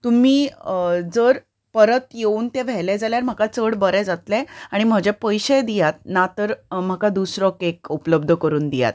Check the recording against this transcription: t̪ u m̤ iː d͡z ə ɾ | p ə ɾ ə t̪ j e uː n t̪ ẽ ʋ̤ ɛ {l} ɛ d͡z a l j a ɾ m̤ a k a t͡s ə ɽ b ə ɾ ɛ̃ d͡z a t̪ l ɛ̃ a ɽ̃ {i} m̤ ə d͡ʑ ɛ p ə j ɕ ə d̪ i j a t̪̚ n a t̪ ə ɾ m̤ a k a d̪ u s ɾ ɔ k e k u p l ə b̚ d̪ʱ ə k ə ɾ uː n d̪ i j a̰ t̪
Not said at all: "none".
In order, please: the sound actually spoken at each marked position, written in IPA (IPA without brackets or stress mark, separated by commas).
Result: l, i